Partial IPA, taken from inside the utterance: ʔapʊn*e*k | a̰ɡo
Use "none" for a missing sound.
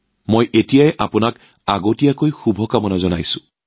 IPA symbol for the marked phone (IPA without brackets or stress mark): a